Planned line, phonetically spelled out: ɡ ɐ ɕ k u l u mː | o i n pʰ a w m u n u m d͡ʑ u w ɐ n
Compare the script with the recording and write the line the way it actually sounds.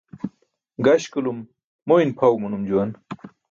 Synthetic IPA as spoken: ɡ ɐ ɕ k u l u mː | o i n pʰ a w m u n u m d͡ʑ u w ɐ n